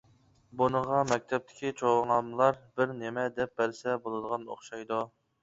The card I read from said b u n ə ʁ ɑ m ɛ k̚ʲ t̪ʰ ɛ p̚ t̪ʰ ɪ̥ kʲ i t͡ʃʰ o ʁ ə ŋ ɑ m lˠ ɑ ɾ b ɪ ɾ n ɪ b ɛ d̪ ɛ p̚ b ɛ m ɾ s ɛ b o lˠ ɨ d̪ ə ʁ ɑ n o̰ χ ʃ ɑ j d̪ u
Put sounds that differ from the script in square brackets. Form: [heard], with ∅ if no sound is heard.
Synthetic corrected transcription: b u n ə ʁ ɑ m ɛ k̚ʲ t̪ʰ ɛ p̚ t̪ʰ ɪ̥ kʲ i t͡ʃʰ o ʁ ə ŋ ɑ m lˠ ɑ ɾ b ɪ ɾ n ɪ [m] ɛ d̪ ɛ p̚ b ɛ [∅] ɾ s ɛ b o lˠ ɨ d̪ ə ʁ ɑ n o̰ χ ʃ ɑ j d̪ u